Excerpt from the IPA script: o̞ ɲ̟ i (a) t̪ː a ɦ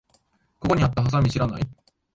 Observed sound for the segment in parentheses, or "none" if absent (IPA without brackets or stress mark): a